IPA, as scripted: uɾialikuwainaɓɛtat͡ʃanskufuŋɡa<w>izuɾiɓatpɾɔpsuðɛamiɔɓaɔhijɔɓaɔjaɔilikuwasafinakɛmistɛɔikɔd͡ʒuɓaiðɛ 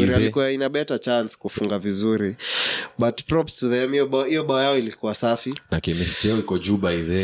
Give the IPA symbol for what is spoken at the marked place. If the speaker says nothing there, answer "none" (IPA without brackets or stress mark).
v